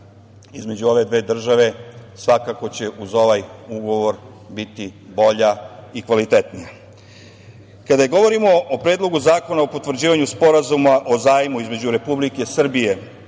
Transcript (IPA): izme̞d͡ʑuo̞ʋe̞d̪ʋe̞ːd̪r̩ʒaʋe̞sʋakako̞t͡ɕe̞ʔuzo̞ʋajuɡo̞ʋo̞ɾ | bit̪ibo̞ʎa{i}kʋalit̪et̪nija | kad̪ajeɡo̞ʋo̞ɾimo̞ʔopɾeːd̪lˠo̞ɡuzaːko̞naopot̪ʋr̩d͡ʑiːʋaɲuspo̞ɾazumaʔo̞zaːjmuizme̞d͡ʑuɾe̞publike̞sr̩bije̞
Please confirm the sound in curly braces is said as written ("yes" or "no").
yes